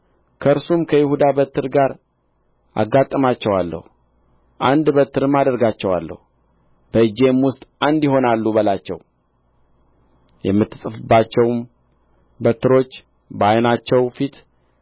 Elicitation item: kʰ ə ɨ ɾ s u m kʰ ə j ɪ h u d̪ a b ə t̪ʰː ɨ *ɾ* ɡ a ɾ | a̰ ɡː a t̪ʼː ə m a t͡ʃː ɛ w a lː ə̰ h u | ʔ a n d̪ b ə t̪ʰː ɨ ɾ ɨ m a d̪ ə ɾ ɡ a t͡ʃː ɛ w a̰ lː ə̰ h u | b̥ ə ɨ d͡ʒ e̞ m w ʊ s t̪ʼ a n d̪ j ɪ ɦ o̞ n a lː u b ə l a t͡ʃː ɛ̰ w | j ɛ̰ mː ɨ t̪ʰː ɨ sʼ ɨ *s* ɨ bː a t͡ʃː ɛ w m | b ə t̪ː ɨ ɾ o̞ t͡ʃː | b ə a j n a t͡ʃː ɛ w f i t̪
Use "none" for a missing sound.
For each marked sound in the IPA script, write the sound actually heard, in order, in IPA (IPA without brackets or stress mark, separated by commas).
ɾ, f